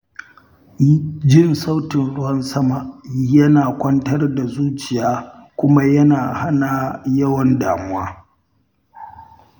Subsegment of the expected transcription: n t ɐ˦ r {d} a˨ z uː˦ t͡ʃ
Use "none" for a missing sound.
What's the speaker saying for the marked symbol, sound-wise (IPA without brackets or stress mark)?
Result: d